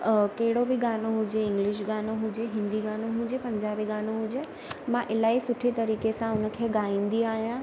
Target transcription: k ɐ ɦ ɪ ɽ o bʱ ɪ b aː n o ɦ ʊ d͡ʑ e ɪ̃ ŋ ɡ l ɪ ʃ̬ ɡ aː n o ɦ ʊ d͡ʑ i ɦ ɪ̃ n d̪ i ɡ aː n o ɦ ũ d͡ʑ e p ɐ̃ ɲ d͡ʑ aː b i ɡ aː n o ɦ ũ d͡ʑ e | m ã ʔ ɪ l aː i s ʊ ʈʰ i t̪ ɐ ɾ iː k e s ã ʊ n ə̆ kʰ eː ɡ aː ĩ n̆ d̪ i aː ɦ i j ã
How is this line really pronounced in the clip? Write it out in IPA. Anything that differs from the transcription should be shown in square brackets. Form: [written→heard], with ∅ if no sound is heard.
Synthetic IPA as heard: k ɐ ɦ ɪ ɽ o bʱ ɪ [b→ɡ] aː n o ɦ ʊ d͡ʑ e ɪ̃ ŋ ɡ l ɪ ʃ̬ ɡ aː n o ɦ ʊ d͡ʑ [i→e] ɦ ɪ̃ n d̪ i ɡ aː n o ɦ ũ d͡ʑ e p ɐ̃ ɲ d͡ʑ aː b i ɡ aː n o ɦ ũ d͡ʑ e | m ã ʔ ɪ l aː i s ʊ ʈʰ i t̪ ɐ ɾ iː k e s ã ʊ n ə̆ kʰ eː ɡ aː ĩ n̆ d̪ i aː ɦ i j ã